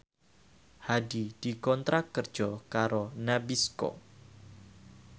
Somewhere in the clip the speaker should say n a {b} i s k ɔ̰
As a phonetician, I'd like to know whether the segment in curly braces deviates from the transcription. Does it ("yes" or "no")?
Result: no